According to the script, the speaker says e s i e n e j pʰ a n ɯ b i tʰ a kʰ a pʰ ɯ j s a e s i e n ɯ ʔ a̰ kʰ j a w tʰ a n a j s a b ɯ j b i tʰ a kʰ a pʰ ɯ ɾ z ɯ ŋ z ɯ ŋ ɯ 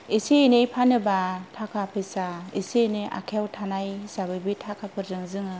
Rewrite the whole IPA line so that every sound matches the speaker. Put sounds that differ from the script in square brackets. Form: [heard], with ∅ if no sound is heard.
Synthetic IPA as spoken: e s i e n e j pʰ a n ɯ b [a] tʰ a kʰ a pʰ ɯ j s a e s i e n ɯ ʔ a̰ kʰ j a w tʰ a n a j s a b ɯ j b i tʰ a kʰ a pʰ ɯ ɾ z ɯ ŋ z ɯ ŋ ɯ

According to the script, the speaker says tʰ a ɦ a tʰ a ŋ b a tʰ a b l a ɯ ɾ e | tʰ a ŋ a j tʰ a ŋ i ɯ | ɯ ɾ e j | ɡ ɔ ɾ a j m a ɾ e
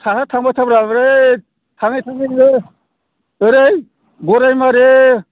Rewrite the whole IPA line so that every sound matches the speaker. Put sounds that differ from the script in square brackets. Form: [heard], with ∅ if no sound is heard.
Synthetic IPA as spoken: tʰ a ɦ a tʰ a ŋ b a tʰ a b [ɾ] a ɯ ɾ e | tʰ a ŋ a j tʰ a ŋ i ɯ | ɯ ɾ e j | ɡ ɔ ɾ a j m a ɾ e

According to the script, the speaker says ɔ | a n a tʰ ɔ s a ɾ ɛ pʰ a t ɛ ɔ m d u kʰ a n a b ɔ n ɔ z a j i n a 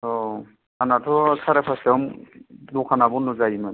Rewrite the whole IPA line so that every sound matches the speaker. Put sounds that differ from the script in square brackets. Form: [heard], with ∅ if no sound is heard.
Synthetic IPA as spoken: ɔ | a n a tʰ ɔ s a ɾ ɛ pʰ a [s] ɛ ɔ m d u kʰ a n a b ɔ n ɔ z a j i [m] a

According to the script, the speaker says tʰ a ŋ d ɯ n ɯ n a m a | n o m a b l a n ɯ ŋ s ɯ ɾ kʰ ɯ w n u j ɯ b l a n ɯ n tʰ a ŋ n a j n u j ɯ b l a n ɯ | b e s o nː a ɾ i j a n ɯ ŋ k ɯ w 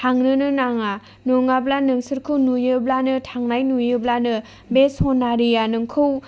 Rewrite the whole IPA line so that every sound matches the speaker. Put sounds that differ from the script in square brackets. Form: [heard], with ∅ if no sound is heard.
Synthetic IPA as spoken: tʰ a ŋ [n] ɯ n ɯ n a [ŋ] a | n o [ŋ] a b l a n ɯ ŋ s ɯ ɾ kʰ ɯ w n u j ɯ b l a n ɯ [∅] tʰ a ŋ n a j n u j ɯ b l a n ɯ | b e s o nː a ɾ i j a n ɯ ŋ [kʰ] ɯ w

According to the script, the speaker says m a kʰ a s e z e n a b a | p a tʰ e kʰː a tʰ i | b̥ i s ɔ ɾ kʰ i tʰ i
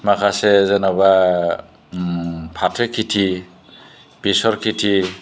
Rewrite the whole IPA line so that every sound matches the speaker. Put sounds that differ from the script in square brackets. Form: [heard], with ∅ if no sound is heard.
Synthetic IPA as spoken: m a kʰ a s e z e n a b a | [pʰ] a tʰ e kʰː [i] tʰ i | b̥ i s ɔ ɾ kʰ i tʰ i

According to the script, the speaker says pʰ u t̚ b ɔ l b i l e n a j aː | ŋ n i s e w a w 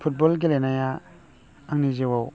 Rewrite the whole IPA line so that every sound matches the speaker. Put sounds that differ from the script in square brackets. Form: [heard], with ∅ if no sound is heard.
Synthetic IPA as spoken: pʰ u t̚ b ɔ l [ɡ] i l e n a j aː | ŋ n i [z] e w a w

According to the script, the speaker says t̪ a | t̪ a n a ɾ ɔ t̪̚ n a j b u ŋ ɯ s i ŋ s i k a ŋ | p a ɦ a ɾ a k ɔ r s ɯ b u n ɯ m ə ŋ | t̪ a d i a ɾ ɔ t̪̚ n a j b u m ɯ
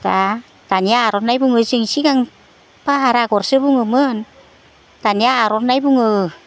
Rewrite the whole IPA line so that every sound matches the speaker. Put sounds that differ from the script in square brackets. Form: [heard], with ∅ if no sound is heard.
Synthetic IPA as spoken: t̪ a | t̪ a n a ɾ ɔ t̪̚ n a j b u ŋ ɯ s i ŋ s i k a ŋ | p a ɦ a ɾ a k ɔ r s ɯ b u [ŋ] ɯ m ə [n] | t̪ a [n] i a ɾ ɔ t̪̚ n a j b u [ŋ] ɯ

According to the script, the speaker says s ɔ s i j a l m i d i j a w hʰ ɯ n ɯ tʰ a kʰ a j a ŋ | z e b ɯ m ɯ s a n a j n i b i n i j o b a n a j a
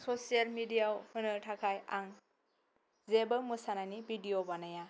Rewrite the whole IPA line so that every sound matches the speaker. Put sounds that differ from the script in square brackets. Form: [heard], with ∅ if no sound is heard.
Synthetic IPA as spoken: s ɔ s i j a l m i d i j a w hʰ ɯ n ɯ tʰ a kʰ a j a ŋ | z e b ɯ m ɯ s a n a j n i b i [d] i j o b a n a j a

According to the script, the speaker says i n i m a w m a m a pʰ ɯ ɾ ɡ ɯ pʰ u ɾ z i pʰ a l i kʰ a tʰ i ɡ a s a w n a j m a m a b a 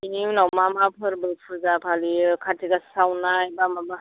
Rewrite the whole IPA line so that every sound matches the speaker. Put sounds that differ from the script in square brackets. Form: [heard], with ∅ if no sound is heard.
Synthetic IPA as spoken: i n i [n] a w m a m a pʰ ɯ ɾ [b] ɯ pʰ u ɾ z [a] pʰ a l i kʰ a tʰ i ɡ a s a w n a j [b] a m a b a

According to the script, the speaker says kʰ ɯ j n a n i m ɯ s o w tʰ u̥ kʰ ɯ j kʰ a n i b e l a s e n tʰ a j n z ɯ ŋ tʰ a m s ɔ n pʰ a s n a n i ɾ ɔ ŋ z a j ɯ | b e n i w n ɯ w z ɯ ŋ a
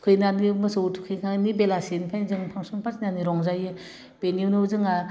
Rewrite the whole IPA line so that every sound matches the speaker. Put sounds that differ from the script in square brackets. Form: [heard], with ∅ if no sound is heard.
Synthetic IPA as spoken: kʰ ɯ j n a n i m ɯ s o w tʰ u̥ kʰ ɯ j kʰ a n i b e l a s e n [pʰ] a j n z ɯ ŋ [pʰ] a [ŋ] s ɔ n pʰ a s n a n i ɾ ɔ ŋ z a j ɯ | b e n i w n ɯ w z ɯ ŋ a

